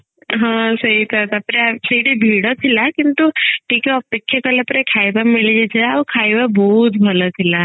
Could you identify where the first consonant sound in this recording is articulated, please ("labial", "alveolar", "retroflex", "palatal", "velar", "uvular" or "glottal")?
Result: glottal